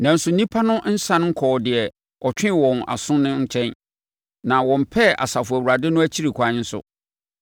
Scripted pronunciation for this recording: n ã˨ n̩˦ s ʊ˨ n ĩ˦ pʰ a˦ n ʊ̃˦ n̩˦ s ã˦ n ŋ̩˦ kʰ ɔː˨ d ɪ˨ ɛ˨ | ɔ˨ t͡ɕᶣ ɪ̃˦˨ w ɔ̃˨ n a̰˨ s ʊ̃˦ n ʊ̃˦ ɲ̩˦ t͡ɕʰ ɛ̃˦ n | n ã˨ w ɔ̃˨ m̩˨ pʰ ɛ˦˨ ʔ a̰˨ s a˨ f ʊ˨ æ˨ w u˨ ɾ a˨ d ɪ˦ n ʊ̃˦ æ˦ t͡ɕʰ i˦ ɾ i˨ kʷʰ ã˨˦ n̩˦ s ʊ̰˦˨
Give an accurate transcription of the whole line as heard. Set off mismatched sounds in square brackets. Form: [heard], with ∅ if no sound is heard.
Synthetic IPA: n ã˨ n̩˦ s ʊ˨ n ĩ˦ pʰ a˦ n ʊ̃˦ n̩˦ s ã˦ n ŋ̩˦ kʰ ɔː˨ d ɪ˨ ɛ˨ | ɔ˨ t͡ɕᶣ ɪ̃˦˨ w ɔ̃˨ n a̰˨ s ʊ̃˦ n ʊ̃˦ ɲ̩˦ t͡ɕʰ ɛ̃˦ n | n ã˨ w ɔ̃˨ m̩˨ pʰ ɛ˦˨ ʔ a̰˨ s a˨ f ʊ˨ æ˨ w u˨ ɾ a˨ d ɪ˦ n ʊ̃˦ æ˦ t͡ɕʰ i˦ ɾ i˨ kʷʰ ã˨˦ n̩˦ s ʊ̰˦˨